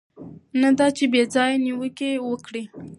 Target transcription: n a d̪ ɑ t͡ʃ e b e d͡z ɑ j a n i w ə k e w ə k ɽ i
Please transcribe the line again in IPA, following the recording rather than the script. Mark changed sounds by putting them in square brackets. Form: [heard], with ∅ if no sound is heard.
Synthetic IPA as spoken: n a d̪ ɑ t͡ʃ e b e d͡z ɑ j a n i w ə k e w ə k ɽ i